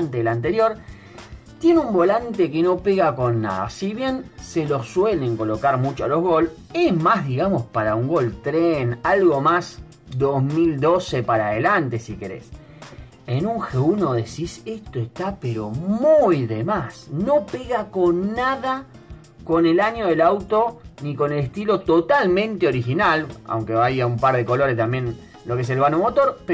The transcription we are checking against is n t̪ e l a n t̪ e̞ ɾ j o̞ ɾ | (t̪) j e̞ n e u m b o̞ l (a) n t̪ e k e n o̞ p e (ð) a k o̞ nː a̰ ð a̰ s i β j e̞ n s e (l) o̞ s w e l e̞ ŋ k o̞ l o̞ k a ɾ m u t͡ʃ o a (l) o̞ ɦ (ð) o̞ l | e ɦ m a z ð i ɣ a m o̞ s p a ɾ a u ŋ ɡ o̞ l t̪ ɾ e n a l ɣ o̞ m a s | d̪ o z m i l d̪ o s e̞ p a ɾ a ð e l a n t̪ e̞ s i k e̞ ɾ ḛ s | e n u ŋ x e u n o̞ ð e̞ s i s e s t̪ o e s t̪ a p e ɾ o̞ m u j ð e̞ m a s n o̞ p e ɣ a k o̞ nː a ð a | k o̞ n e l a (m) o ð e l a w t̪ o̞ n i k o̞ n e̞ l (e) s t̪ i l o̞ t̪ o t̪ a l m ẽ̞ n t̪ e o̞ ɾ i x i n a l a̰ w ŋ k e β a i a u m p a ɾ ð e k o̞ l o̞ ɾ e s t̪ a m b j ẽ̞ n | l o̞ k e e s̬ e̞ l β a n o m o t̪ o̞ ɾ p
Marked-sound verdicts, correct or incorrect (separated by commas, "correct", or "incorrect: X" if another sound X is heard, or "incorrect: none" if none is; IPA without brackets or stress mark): correct, correct, incorrect: ɣ, correct, correct, incorrect: ɣ, incorrect: ɲ, correct